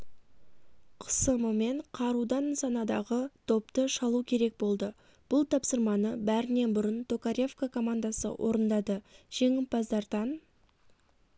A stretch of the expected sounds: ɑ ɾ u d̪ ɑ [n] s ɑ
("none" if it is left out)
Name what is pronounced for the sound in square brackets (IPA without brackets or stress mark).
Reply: n